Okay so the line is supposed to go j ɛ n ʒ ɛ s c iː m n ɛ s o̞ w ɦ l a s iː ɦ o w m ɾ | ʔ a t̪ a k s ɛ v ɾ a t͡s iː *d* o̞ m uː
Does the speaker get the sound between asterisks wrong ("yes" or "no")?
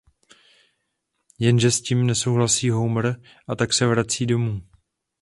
no